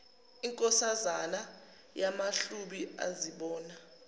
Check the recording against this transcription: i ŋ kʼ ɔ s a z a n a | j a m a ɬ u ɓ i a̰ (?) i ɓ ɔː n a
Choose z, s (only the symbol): z